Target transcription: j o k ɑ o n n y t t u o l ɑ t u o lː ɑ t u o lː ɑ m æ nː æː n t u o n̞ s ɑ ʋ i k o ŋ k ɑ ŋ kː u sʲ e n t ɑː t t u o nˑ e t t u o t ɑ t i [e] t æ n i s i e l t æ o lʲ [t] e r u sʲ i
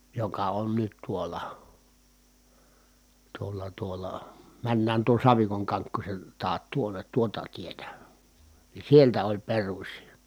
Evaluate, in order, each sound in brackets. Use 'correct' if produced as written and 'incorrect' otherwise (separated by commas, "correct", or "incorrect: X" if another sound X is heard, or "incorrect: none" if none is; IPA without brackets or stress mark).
correct, incorrect: p